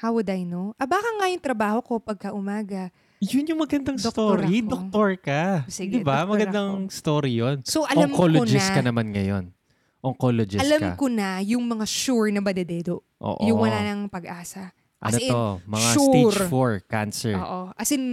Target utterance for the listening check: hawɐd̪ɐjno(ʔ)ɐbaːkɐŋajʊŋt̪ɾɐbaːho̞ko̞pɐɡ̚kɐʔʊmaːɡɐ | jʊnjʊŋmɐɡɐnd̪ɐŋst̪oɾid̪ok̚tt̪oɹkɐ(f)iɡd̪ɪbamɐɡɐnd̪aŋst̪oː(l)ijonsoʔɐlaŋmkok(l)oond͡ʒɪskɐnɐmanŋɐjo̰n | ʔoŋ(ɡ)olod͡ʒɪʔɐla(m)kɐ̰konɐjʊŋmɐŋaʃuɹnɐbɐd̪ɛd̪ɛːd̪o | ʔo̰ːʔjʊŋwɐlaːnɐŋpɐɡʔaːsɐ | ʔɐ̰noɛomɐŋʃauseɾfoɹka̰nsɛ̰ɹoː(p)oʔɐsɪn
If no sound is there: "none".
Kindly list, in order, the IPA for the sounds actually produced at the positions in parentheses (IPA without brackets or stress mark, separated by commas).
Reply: ʔ, s, ɾ, l, k, m, ʔ